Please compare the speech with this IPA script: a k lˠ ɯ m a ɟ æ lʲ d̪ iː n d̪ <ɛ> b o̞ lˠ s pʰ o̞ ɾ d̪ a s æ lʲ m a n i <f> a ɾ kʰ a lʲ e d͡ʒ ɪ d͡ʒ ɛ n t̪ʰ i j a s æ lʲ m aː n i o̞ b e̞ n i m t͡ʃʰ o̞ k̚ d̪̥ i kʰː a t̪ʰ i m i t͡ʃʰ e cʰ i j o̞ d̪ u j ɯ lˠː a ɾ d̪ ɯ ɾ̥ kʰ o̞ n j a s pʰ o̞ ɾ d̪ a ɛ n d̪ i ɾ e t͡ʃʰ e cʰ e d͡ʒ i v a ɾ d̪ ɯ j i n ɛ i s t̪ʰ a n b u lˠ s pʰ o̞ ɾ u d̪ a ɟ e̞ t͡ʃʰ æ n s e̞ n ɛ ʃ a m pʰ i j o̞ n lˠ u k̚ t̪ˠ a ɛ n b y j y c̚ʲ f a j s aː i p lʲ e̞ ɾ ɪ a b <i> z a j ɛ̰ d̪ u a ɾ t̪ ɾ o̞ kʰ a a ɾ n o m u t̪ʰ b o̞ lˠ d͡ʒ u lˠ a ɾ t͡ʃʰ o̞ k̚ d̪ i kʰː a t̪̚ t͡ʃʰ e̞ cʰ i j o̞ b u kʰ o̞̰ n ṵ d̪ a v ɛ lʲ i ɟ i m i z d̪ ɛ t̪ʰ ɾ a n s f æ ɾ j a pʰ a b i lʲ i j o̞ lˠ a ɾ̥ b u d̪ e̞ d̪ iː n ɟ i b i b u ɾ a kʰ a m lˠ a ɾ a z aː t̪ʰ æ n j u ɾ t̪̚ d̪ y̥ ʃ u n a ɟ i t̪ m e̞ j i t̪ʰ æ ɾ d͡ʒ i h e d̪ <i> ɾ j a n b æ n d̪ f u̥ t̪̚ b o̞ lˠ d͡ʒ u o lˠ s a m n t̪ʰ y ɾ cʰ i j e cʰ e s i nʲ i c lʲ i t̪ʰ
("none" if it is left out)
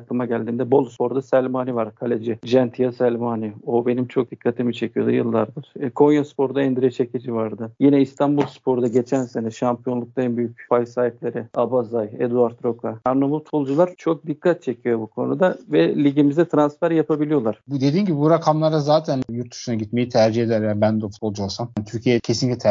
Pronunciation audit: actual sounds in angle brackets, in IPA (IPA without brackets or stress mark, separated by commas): ɛ, v, a, æ